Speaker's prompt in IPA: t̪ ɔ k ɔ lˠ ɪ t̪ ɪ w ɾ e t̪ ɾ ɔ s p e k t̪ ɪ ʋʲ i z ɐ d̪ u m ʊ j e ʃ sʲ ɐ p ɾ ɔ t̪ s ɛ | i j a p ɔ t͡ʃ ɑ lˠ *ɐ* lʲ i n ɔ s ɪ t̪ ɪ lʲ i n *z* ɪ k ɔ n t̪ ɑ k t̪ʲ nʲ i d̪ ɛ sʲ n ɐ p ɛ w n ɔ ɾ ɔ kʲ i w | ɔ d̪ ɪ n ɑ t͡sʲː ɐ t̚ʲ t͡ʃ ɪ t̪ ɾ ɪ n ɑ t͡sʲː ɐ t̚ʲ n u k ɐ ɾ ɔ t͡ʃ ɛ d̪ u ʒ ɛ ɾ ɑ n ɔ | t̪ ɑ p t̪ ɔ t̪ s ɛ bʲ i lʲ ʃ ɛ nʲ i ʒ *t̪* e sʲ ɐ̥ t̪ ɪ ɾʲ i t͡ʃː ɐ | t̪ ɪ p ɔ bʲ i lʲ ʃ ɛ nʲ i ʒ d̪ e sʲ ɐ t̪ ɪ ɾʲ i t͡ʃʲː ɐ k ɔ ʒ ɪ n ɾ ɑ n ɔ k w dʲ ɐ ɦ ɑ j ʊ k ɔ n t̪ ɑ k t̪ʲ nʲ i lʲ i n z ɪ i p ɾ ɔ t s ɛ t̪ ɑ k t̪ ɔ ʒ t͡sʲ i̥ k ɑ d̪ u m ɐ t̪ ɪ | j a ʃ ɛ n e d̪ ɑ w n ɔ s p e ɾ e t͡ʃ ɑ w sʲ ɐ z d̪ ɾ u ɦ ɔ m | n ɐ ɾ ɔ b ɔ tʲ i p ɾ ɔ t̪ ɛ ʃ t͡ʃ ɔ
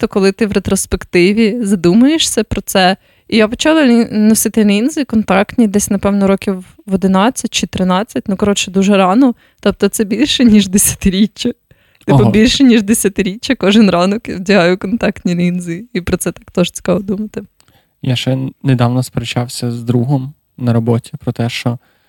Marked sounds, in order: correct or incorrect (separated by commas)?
correct, correct, incorrect